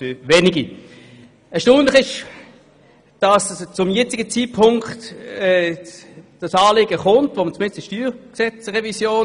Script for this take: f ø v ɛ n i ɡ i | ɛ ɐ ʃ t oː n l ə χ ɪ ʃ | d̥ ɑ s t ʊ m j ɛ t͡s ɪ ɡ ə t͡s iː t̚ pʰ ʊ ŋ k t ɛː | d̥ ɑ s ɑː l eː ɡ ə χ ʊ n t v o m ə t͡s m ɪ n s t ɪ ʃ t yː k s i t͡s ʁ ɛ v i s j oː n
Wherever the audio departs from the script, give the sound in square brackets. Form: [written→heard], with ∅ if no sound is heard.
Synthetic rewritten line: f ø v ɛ n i ɡ i | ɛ ɐ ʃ t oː n l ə χ ɪ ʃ | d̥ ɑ s [t→t͡s] ʊ m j ɛ t͡s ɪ ɡ ə t͡s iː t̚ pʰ ʊ ŋ k t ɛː | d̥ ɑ s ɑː l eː ɡ ə χ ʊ n t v o m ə t͡s m ɪ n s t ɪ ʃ t yː k s [i→ɛ] t͡s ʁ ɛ v i s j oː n